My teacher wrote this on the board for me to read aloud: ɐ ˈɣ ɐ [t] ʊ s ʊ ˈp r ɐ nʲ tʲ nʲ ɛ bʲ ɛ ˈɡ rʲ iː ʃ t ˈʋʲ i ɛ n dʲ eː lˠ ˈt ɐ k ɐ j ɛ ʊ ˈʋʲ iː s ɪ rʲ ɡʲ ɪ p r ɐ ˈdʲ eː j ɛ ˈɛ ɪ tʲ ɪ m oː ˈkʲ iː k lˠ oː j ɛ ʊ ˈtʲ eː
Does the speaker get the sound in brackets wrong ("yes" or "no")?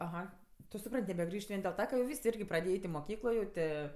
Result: no